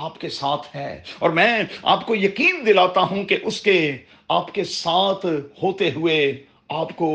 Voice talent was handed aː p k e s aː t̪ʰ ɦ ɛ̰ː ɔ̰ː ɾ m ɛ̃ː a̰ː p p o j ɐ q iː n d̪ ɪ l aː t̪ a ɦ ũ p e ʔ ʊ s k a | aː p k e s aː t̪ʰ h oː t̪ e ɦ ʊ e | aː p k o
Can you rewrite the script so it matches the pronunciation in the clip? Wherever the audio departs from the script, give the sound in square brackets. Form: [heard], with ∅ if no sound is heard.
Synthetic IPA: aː p k e s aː t̪ʰ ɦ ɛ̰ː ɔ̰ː ɾ m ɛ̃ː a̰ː p [k] o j ɐ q iː n d̪ ɪ l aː t̪ a ɦ ũ [k] e ʔ ʊ s k [e] | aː p k e s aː t̪ʰ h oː t̪ e ɦ ʊ e | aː p k o